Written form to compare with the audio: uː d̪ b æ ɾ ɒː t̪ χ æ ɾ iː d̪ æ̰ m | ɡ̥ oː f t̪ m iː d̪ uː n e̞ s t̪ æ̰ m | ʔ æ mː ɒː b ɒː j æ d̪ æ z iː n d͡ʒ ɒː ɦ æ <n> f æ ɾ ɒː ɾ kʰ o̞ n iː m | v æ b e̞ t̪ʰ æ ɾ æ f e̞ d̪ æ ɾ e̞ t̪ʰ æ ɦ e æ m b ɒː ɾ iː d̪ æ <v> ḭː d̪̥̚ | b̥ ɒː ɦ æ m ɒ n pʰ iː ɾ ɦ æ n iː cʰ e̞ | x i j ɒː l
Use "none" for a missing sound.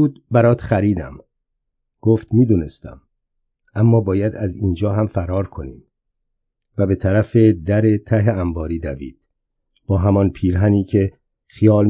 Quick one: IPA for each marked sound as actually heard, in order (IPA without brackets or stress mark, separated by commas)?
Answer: m, v